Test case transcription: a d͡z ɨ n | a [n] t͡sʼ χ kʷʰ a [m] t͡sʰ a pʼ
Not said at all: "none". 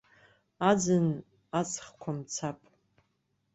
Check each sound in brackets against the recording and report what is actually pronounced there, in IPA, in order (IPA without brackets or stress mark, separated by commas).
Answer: none, m